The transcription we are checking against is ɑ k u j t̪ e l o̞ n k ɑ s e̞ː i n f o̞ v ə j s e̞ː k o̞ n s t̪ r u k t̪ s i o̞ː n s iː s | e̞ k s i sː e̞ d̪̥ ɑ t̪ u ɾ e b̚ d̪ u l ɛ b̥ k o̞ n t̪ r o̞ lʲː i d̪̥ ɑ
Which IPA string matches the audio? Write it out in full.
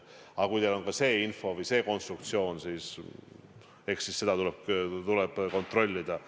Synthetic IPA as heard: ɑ k u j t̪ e l o̞ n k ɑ s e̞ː i n f o̞ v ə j s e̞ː k o̞ n s t̪ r u k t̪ s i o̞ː n s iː s | e̞ k s i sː e̞ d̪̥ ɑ t̪ u l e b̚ t̪ u l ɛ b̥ k o̞ n t̪ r o̞ lʲː i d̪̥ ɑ